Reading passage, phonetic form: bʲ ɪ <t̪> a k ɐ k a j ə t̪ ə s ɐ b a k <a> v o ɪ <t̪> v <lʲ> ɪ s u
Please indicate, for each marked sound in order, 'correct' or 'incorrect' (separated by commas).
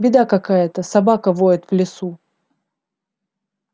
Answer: incorrect, incorrect, correct, correct